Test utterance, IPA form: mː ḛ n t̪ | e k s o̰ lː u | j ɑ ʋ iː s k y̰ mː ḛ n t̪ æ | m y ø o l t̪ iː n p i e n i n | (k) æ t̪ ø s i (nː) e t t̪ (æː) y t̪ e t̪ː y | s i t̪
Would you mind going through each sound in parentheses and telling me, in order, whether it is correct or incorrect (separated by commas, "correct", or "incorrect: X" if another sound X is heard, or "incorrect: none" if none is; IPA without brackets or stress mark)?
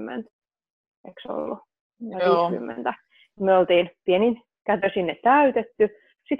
correct, correct, incorrect: æ